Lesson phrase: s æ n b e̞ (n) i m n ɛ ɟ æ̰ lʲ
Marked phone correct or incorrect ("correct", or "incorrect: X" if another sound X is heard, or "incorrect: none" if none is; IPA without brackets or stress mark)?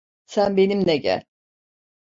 correct